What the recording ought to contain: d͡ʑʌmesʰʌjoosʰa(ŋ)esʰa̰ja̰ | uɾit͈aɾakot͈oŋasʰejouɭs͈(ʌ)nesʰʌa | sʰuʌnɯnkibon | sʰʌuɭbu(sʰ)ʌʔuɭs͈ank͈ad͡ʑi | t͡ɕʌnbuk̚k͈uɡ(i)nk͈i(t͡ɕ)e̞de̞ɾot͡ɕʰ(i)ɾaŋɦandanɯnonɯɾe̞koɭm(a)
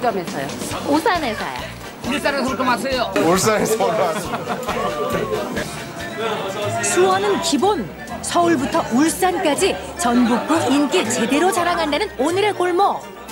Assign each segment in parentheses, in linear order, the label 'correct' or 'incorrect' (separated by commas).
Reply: incorrect, incorrect, incorrect, correct, correct, incorrect, incorrect